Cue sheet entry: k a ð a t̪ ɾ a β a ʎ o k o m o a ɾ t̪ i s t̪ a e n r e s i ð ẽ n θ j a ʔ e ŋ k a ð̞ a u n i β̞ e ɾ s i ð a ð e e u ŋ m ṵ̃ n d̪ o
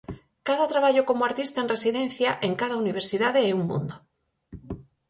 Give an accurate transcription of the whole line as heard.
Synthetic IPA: k a ð a t̪ ɾ a β a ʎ o k o m o a ɾ t̪ i s t̪ a e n r e s i ð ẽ n θ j a ʔ e ŋ k a ð̞ a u n i β̞ e ɾ s i ð a ð e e u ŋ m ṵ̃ n d̪ o